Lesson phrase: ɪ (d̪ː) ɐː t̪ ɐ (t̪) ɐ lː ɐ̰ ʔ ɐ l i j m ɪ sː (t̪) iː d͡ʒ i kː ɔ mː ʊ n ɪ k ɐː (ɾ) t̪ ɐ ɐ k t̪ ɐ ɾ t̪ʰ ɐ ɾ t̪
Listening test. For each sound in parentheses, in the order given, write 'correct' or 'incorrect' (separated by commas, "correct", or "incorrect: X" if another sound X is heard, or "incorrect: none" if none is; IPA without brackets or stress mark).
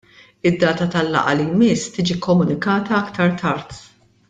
correct, correct, correct, incorrect: none